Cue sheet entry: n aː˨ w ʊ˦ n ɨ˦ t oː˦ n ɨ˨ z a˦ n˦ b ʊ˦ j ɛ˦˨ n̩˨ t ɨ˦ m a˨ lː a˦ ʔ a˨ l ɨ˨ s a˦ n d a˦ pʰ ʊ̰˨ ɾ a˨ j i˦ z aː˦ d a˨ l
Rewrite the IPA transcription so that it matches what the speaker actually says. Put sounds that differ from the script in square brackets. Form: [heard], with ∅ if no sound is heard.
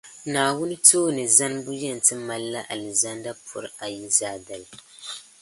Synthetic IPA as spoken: n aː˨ w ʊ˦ n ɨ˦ t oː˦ n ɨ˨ z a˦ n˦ b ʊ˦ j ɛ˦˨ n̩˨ t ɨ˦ m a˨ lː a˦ ʔ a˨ l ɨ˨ [z] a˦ n d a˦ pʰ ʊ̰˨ ɾ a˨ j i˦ z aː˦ d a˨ l